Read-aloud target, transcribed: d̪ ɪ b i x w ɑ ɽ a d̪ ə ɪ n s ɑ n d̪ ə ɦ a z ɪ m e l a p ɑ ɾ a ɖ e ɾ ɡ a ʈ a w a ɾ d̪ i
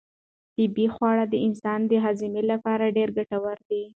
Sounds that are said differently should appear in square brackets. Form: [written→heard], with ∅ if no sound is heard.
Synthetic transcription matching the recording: [d̪→t̪] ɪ b i x w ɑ ɽ a d̪ ə ɪ n s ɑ n d̪ ə ɦ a z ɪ m e l a p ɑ ɾ a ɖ e ɾ ɡ a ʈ a w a ɾ d̪ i